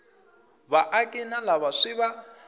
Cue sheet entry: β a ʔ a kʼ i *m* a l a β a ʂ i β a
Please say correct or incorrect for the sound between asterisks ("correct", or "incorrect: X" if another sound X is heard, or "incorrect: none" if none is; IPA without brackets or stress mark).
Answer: incorrect: n